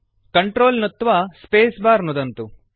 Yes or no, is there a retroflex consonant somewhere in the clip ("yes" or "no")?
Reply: yes